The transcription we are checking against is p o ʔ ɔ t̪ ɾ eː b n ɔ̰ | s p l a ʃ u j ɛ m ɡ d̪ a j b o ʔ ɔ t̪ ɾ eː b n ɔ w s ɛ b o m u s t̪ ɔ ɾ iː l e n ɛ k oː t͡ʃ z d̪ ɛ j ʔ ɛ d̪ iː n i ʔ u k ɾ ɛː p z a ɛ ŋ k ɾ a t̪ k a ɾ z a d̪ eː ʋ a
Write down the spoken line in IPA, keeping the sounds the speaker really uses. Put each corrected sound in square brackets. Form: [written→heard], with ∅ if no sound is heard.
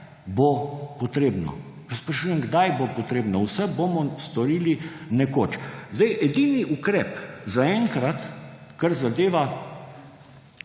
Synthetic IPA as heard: [p→b] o [ʔ→p] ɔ t̪ ɾ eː b n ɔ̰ | s p [l→ɾ] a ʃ u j ɛ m ɡ d̪ a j b o [ʔ→p] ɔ t̪ ɾ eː b n ɔ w s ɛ b o m [u→ɔ] s t̪ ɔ ɾ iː l [e→i] n ɛ k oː t͡ʃ z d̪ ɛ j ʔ ɛ d̪ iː n i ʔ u k ɾ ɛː p z a ɛ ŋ k ɾ a t̪ k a ɾ z a d̪ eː ʋ a